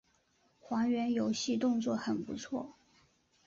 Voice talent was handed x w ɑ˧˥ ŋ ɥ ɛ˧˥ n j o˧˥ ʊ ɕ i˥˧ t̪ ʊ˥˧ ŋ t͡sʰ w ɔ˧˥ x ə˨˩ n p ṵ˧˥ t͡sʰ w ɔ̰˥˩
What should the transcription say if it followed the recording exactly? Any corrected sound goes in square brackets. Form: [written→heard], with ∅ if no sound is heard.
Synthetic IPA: x w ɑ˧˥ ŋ ɥ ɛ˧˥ n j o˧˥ ʊ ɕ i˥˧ t̪ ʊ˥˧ ŋ [t͡sʰ→t͡s] w [ɔ˧˥→ɔ˥˩] x ə˨˩ n p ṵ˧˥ t͡sʰ w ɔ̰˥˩